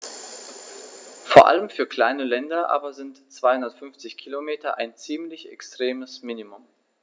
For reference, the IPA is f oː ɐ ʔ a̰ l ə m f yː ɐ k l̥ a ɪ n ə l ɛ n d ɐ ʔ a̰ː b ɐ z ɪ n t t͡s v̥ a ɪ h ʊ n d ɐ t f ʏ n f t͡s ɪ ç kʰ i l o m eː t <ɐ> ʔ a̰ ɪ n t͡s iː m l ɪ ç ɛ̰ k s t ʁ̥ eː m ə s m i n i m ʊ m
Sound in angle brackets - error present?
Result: no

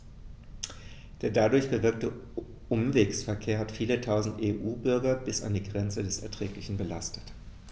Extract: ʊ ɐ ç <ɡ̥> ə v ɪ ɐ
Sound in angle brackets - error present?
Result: yes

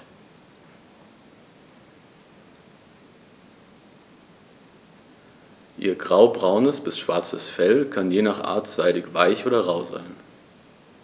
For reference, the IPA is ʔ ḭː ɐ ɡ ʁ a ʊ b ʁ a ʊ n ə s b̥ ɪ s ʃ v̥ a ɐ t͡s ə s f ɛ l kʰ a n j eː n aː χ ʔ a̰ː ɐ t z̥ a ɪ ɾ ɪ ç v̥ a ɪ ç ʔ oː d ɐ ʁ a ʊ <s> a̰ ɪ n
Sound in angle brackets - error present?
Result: yes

